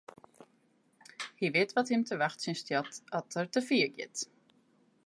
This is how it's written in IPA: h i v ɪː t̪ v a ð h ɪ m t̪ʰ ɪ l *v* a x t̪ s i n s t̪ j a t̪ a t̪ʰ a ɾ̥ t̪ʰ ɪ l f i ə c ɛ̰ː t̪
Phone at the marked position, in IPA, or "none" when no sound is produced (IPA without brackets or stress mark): v